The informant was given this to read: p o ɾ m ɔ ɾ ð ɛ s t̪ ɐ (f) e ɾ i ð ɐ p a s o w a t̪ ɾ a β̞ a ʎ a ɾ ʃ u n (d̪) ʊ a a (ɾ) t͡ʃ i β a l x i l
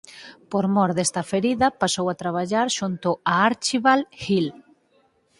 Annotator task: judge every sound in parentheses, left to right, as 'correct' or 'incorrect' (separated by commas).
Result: correct, incorrect, correct